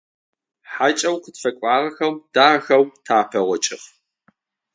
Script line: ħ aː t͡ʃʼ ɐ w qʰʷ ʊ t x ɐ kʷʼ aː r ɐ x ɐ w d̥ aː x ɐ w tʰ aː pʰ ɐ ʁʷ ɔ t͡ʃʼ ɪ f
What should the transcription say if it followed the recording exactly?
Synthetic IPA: ħ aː t͡ʃʼ ɐ w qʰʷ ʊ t f ɐ kʷʼ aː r ɐ x ɐ w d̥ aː x ɐ w tʰ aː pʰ ɐ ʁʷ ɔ t͡ʃʼ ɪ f